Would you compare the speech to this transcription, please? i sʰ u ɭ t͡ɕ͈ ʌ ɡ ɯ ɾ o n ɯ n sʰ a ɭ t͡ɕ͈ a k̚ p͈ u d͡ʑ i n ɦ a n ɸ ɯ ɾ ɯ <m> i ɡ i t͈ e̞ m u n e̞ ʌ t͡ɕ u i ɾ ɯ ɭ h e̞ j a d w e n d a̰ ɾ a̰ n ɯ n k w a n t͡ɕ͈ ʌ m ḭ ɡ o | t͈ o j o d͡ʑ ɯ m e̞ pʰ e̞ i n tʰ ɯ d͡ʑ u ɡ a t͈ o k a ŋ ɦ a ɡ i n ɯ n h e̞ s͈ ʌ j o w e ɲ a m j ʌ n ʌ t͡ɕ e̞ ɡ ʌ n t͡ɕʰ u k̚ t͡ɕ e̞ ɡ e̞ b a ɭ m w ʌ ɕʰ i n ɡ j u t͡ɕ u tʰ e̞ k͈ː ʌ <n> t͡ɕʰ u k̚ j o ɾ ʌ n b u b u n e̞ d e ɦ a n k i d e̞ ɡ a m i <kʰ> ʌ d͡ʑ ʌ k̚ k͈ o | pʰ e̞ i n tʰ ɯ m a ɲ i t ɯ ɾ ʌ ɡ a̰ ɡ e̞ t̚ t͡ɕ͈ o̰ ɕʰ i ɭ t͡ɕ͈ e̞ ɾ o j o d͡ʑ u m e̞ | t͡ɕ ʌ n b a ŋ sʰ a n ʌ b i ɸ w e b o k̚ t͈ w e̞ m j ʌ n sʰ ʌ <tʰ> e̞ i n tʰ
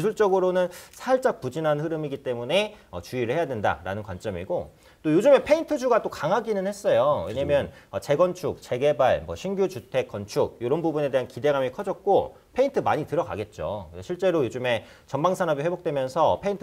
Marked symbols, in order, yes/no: yes, yes, yes, no

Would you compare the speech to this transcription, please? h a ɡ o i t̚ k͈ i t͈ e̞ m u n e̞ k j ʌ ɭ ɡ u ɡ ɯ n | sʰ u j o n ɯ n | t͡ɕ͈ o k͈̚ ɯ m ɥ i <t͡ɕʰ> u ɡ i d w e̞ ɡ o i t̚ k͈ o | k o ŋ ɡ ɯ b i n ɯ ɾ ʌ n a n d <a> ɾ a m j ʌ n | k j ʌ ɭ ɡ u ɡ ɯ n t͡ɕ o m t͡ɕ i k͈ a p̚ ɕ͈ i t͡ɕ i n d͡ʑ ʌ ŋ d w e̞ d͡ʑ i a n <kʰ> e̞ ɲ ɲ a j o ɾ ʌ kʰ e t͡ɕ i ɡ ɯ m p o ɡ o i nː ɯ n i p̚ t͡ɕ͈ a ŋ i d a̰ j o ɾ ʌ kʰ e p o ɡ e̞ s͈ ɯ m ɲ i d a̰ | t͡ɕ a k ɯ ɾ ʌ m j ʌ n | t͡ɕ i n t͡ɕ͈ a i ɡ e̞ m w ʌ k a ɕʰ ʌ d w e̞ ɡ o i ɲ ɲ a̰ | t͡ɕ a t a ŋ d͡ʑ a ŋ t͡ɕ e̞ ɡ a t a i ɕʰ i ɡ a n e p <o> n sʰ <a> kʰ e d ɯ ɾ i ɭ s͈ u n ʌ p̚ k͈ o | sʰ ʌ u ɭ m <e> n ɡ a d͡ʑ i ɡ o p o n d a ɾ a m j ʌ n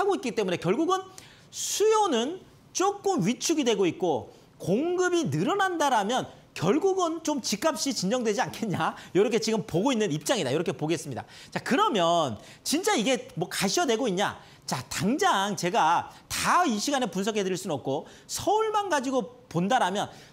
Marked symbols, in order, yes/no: yes, yes, yes, no, no, no

